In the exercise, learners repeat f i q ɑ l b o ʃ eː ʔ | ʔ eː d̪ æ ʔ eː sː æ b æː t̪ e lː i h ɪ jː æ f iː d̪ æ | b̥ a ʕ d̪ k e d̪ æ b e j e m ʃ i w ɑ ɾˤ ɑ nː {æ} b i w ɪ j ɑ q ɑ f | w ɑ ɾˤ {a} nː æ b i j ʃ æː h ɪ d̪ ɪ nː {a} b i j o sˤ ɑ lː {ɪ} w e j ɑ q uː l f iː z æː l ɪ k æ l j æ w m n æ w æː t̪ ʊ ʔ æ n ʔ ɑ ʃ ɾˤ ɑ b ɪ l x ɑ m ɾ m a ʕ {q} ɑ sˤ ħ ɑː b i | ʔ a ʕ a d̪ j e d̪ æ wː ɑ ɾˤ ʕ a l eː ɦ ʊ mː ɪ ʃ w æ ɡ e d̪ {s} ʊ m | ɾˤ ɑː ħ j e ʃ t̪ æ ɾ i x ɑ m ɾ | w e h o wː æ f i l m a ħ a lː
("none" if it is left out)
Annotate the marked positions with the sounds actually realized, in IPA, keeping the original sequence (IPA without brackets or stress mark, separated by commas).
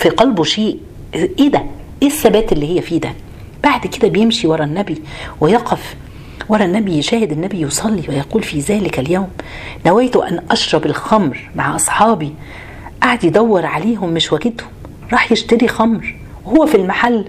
æ, ɑ, æ, i, ʔ, h